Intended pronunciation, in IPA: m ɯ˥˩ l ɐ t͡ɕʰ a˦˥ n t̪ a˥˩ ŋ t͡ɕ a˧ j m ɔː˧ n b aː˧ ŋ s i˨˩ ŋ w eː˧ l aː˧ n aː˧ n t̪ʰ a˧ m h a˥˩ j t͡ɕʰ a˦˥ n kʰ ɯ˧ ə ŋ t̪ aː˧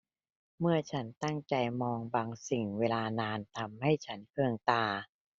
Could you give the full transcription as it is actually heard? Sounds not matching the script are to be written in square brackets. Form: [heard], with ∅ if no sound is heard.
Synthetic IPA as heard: m ɯ˥˩ [∅] ɐ t͡ɕʰ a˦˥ n t̪ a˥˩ ŋ t͡ɕ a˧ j m ɔː˧ [ŋ] b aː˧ ŋ s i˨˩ ŋ w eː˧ l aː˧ n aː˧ n t̪ʰ a˧ m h a˥˩ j t͡ɕʰ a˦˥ n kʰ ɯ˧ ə ŋ t̪ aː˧

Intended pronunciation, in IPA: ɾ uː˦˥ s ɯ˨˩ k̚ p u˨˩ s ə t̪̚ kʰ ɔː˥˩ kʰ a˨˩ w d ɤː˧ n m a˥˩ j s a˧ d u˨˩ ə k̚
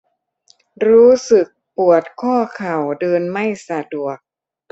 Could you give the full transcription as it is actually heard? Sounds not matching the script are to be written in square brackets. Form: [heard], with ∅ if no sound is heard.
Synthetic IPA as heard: ɾ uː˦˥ s ɯ˨˩ k̚ p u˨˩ [∅] ə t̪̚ kʰ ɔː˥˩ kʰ a˨˩ w d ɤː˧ n m a˥˩ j s a˧ d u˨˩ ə k̚

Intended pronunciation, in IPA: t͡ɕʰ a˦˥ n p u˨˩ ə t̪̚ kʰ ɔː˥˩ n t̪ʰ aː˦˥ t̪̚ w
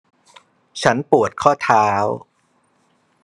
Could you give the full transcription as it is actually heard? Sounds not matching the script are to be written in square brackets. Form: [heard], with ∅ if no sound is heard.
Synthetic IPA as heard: t͡ɕʰ a˦˥ n p u˨˩ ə t̪̚ kʰ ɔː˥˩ [∅] t̪ʰ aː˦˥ [∅] w

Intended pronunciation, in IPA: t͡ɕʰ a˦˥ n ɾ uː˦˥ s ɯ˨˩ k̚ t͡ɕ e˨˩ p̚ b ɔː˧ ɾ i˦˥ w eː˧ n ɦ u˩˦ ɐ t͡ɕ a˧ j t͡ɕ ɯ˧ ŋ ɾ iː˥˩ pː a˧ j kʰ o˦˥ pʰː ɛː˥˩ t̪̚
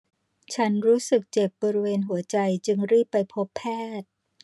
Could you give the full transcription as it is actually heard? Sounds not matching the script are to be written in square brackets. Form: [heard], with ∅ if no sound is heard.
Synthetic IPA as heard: t͡ɕʰ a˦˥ n ɾ uː˦˥ s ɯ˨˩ k̚ t͡ɕ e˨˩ p̚ b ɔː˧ ɾ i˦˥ w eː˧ n ɦ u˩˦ ɐ t͡ɕ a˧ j t͡ɕ ɯ˧ ŋ ɾ iː˥˩ pː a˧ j [pʰ] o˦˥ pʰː ɛː˥˩ t̪̚

